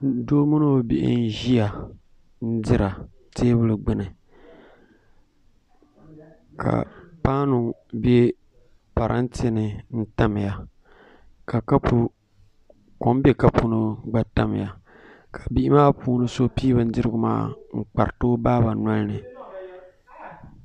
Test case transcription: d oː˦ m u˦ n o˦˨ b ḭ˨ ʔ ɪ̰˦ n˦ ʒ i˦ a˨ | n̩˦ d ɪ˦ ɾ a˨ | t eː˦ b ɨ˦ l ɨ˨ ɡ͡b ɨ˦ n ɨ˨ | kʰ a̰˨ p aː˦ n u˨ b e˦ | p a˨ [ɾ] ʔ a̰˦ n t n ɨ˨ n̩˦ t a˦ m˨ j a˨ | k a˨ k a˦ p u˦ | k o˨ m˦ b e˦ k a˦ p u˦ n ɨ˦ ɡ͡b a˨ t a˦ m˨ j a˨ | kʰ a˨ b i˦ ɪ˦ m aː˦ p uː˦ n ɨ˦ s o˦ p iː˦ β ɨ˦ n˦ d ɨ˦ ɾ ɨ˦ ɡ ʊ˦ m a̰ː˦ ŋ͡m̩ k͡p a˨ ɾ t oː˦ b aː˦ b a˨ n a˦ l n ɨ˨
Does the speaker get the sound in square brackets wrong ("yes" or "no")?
no